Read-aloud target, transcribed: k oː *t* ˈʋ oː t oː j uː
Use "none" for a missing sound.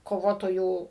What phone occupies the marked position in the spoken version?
none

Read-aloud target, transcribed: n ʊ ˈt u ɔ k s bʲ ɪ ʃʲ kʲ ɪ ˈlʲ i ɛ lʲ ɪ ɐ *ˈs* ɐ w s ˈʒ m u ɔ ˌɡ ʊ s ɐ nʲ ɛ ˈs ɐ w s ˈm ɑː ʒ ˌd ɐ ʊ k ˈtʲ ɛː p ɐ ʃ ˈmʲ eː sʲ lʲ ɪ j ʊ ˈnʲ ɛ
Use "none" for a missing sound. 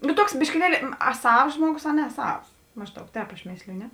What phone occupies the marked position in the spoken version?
s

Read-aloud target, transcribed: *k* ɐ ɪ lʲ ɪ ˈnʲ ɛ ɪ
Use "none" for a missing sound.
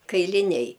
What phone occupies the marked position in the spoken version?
k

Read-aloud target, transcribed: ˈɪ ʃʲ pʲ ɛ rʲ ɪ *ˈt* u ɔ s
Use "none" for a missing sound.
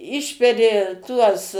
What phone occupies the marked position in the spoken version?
t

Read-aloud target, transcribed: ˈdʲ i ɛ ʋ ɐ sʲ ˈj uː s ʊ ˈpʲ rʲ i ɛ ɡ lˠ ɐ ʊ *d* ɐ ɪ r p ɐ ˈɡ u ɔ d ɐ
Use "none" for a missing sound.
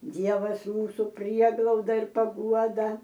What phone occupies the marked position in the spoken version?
d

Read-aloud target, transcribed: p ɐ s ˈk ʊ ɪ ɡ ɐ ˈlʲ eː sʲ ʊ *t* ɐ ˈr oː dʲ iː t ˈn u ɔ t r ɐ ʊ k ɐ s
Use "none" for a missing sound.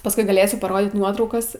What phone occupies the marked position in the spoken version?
p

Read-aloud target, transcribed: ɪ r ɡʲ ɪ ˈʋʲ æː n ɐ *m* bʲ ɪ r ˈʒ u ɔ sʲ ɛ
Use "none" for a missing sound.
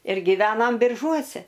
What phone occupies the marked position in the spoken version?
m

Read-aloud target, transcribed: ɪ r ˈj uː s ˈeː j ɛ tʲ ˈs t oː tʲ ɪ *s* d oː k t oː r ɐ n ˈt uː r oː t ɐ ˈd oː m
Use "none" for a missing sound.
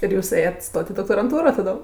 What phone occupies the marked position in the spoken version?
none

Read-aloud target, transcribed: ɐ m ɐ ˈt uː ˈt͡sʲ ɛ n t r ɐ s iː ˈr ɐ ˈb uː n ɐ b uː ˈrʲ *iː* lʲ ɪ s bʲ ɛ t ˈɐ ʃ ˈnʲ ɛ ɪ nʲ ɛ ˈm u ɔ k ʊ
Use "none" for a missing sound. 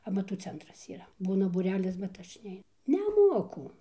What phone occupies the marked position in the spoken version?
æː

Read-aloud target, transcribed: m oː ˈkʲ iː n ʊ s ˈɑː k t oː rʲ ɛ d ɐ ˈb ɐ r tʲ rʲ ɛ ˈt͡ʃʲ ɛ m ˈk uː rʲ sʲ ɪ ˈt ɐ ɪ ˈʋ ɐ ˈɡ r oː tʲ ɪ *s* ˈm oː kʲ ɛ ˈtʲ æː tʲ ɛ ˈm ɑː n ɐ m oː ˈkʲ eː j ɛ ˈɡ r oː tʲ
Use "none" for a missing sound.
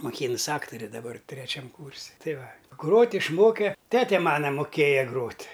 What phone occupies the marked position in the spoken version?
ʃ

